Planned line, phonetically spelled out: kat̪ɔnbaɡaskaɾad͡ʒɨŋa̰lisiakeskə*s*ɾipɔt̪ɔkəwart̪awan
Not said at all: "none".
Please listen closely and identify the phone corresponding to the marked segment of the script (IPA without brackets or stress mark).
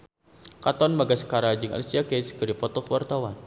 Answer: none